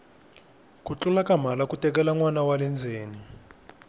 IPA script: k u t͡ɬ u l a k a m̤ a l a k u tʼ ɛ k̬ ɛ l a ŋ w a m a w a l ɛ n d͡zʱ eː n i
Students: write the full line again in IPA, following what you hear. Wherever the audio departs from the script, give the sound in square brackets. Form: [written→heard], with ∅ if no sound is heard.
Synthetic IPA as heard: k u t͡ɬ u l a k a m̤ a l a k u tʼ ɛ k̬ ɛ l a ŋ w a [m→n] a w a l ɛ n d͡zʱ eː n i